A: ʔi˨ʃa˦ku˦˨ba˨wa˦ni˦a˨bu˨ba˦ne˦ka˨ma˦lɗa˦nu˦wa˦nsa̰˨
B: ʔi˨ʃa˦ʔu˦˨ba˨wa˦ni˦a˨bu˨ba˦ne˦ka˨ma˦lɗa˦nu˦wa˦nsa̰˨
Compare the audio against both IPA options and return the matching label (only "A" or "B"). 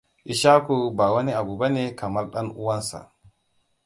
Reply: A